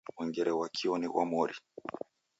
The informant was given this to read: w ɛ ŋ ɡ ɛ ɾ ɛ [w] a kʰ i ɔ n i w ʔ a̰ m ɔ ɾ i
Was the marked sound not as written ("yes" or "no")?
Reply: no